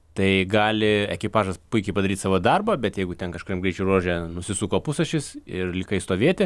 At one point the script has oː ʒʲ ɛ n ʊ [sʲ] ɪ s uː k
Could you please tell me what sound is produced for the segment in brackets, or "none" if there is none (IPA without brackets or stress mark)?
sʲ